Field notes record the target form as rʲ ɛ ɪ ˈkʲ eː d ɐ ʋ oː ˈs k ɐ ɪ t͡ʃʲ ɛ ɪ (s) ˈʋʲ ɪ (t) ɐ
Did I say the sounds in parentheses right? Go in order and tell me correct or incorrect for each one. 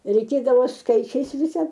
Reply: correct, incorrect: s

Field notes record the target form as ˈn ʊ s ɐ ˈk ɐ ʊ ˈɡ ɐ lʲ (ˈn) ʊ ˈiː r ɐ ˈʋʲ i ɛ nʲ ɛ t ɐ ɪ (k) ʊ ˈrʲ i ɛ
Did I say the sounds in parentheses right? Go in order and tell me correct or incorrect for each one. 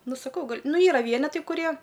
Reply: correct, correct

